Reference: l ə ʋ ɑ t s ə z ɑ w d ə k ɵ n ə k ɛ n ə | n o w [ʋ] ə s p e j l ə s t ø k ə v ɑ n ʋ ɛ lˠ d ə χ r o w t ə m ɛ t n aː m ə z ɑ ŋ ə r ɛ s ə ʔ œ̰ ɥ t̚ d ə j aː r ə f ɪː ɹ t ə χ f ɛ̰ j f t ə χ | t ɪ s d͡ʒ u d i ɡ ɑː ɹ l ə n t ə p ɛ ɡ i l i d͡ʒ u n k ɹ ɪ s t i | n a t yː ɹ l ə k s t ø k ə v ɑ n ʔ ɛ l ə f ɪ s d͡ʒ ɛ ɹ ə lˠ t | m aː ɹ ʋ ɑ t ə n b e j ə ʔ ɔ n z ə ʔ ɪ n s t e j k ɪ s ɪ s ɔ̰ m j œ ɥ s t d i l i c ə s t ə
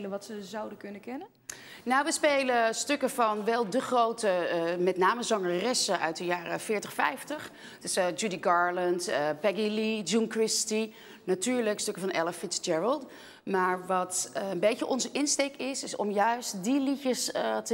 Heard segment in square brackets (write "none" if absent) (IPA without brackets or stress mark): ʋ